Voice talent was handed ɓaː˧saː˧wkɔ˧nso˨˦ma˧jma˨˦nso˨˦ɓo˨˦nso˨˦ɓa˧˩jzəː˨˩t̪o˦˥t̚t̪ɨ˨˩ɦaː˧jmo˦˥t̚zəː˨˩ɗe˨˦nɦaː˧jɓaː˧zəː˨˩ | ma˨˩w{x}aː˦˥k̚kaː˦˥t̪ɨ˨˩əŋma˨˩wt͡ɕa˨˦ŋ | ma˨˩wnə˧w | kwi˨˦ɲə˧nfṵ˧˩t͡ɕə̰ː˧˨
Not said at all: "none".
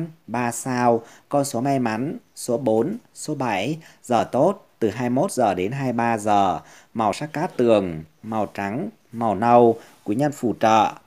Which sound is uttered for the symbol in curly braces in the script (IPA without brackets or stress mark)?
s